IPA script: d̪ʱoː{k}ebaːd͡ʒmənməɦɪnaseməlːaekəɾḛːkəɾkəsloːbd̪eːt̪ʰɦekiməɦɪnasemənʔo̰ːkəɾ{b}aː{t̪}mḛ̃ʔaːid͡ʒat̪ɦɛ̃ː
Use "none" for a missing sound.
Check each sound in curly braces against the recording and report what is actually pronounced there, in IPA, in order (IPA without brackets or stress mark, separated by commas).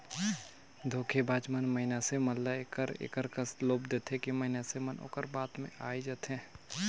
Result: kʰ, b, t̪